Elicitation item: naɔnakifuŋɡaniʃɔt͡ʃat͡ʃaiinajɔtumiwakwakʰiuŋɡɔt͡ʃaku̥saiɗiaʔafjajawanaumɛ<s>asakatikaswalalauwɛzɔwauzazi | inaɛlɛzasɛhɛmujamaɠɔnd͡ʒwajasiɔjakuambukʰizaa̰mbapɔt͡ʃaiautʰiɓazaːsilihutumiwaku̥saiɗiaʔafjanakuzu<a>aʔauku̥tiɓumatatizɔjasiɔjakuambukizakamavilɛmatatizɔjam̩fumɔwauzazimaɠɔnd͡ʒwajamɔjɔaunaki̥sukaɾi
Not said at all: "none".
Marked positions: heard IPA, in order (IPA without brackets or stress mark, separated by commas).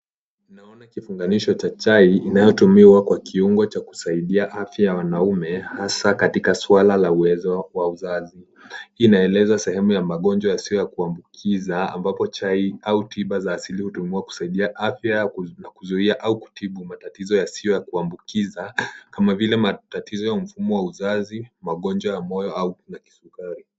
h, i